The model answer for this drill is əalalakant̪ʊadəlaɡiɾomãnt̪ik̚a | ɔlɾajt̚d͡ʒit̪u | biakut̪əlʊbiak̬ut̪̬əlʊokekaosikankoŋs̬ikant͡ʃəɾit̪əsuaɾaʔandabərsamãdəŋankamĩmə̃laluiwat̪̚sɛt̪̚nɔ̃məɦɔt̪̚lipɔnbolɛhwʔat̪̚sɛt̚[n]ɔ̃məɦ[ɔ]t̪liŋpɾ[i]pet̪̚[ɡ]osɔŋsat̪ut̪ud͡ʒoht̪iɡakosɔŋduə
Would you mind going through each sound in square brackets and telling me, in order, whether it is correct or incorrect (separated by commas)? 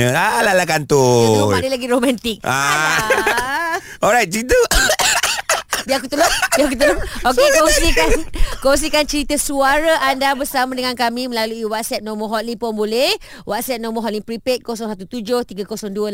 correct, correct, correct, incorrect